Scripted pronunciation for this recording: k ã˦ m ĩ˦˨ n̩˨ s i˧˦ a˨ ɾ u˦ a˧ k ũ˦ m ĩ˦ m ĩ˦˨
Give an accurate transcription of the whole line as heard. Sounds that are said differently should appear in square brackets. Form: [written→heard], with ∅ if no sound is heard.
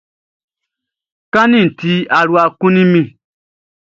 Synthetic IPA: k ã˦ [m→n] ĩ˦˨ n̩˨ [s→t] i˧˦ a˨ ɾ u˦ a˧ k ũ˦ [m→n] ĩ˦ m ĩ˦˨